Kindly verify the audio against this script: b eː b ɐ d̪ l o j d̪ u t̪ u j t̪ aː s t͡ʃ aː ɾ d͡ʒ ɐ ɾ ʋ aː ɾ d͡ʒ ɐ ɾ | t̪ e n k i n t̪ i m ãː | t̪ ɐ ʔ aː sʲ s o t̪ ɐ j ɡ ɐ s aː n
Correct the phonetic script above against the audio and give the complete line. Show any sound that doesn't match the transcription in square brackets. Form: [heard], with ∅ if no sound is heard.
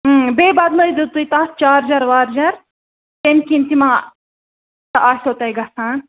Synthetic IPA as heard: b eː b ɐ d̪ l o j d̪ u t̪ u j t̪ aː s t͡ʃ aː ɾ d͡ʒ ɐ ɾ ʋ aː ɾ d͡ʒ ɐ ɾ | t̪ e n k i n t̪ i m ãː | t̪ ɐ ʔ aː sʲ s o t̪ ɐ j ɡ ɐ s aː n